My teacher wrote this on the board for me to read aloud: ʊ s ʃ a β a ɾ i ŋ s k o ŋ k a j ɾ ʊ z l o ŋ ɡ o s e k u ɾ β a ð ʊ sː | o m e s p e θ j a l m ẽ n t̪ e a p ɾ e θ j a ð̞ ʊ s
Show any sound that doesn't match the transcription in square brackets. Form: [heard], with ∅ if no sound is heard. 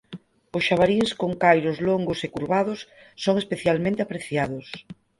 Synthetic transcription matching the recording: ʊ s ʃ a β a ɾ i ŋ s k o ŋ k a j ɾ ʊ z l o ŋ ɡ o s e k u ɾ β a ð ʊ sː | o [ŋ] e s p e θ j a l m ẽ n t̪ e a p ɾ e θ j a ð̞ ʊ s